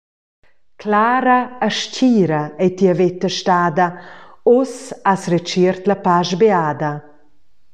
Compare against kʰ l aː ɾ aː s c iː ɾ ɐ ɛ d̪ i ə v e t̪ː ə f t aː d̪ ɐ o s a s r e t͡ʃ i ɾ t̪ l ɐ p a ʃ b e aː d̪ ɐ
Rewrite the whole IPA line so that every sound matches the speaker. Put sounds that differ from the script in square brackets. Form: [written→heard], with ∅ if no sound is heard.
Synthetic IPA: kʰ l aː ɾ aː [s→ʃ] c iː ɾ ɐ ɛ [d̪→t̪] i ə v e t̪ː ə [f→ʃ] t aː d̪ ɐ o s a s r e t͡ʃ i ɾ t̪ l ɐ p a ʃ b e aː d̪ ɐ